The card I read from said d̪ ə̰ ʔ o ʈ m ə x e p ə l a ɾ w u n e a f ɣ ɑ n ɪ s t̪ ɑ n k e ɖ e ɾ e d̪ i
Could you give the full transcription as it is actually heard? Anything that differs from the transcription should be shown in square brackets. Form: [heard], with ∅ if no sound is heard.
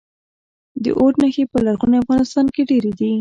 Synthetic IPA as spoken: d̪ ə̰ ʔ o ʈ [n] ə x e p ə l a ɾ [ɣ] u n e a f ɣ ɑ n ɪ s t̪ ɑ n k e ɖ e ɾ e d̪ i